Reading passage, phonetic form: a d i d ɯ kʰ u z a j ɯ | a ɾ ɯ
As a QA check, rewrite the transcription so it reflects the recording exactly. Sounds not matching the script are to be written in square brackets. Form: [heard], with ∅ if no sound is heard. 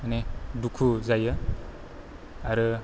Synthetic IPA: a [n] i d [u] kʰ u z a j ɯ | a ɾ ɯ